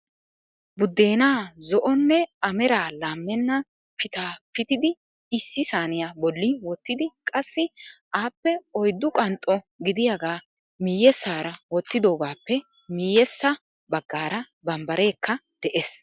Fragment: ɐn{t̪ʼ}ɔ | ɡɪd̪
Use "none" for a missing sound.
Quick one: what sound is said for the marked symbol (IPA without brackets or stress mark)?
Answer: t̪ʼ